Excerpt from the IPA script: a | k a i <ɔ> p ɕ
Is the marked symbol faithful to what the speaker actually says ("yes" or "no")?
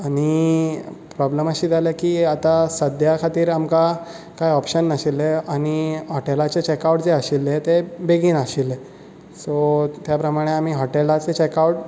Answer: yes